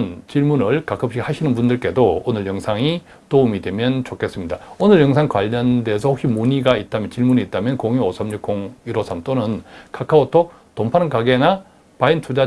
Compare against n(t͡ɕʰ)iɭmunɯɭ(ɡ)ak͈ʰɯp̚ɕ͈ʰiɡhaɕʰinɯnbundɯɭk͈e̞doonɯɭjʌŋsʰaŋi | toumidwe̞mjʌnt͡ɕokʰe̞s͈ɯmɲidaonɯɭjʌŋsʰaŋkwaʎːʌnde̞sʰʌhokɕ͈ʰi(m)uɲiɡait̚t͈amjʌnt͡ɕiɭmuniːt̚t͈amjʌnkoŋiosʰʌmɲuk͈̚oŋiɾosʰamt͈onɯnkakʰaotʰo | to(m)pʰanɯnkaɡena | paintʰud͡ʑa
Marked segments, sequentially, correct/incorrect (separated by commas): incorrect, incorrect, correct, correct